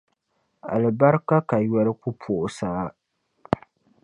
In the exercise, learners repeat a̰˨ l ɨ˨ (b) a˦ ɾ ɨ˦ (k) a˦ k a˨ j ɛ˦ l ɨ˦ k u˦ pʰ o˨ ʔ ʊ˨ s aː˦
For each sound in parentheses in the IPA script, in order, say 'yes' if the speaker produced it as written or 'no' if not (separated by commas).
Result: yes, yes